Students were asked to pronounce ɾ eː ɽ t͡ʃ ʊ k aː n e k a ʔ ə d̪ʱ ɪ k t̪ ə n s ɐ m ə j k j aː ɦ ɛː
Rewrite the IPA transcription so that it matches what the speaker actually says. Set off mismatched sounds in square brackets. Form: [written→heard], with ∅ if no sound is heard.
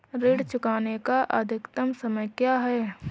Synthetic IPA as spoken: ɾ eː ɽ t͡ʃ ʊ k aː n e k a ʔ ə d̪ʱ ɪ k t̪ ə [n→m] s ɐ m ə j k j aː ɦ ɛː